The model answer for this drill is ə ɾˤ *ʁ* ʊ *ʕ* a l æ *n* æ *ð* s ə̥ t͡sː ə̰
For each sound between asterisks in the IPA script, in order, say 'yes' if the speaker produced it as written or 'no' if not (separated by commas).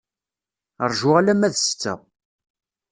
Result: no, no, no, yes